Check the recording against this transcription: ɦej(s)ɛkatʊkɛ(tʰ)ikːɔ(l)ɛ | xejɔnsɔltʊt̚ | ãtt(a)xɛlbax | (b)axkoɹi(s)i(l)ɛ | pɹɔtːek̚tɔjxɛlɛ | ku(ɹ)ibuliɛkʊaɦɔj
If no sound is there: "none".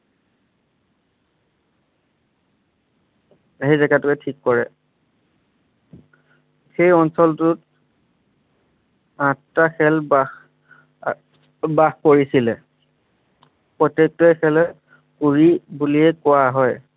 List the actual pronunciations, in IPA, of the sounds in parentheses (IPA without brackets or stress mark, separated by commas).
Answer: z, tʰ, ɹ, a, b, s, l, ɹ